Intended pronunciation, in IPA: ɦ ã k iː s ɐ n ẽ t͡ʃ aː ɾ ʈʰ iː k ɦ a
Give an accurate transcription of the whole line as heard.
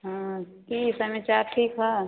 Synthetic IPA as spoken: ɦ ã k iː s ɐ m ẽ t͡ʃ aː ɾ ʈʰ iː k ɦ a